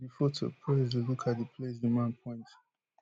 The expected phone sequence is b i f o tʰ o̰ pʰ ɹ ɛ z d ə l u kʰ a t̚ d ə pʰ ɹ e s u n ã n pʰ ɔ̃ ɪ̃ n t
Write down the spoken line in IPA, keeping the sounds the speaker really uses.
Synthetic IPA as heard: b i f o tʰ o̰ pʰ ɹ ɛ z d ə l u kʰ a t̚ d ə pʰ l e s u m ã n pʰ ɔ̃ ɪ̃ n t